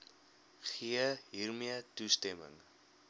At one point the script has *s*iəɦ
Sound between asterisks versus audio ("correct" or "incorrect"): incorrect